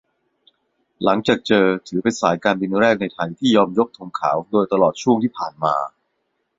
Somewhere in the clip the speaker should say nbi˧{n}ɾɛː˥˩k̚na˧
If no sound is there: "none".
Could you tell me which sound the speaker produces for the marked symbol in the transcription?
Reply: n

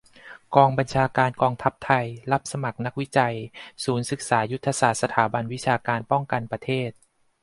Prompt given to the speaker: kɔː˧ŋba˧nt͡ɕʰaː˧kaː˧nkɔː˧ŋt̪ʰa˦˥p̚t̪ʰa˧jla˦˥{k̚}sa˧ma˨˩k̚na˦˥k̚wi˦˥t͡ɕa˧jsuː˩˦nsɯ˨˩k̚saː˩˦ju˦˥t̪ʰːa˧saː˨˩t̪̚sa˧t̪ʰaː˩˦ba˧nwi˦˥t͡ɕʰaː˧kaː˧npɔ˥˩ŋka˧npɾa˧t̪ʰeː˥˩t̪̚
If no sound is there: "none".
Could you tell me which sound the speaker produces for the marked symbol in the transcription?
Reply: p̚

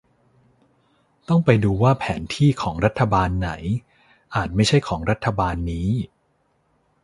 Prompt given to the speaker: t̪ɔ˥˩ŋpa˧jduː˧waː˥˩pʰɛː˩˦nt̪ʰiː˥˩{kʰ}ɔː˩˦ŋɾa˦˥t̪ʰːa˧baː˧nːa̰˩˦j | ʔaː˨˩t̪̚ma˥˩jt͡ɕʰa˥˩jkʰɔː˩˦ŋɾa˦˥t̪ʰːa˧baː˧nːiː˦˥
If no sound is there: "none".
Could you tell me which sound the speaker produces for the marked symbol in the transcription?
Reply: kʰ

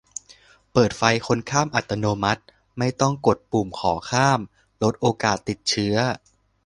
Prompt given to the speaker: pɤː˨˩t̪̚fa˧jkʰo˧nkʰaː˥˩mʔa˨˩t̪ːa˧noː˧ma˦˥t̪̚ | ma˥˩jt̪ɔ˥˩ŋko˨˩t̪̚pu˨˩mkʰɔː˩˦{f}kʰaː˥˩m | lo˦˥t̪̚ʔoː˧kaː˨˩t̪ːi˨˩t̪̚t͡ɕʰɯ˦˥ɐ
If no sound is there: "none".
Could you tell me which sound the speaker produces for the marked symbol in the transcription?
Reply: none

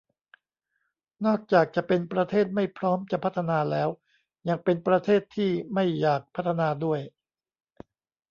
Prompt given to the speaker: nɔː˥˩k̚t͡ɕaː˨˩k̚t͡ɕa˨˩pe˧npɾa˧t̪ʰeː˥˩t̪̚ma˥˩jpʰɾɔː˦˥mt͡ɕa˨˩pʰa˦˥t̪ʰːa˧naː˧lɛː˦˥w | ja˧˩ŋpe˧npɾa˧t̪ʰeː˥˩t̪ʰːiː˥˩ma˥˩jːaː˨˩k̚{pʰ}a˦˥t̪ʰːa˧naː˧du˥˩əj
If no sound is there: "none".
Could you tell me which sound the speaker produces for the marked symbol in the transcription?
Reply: pʰ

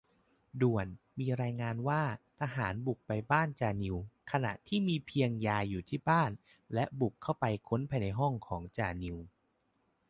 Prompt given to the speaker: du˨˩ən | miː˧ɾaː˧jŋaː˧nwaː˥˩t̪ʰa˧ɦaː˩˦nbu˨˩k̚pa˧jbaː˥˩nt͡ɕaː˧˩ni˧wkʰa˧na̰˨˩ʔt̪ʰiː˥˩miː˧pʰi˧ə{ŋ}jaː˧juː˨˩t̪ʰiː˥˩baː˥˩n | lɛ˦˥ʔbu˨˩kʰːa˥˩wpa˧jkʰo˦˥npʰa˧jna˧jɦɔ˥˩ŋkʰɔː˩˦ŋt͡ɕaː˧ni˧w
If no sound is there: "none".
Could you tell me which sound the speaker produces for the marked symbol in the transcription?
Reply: ŋ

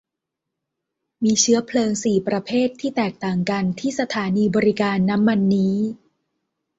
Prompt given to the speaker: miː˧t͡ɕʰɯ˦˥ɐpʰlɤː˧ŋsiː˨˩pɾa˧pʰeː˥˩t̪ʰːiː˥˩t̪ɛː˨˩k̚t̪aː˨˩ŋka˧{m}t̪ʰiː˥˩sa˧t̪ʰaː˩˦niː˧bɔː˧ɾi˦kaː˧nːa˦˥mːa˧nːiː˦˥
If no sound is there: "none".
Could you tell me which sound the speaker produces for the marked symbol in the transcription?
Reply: n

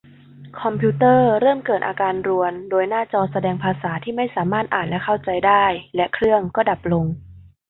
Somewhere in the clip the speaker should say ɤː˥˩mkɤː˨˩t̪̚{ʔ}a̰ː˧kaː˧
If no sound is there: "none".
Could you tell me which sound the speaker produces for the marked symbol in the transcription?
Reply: ʔ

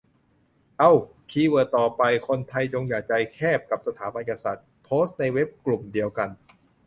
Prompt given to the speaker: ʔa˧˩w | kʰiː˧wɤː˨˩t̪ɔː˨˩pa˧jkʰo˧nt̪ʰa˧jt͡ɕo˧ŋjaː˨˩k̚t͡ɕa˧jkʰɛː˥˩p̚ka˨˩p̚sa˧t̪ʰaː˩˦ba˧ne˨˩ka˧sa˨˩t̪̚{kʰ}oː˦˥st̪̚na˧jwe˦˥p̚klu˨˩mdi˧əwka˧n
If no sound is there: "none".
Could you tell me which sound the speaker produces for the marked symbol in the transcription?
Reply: pʰ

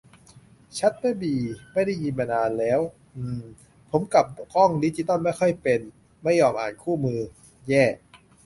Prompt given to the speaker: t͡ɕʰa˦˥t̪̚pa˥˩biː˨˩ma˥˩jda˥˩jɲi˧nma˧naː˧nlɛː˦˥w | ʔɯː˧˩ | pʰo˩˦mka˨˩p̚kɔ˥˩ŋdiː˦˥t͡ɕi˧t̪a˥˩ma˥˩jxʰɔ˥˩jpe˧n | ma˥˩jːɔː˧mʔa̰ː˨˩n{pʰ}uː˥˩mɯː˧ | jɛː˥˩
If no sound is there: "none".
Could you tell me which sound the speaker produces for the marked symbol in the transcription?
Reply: kʰ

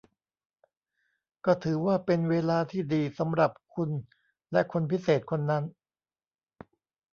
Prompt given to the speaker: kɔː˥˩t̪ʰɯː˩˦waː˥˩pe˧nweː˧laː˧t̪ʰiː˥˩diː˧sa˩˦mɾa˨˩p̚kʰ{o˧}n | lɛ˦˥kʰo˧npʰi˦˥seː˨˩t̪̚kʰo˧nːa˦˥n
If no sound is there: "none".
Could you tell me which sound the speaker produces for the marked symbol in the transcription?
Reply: u˧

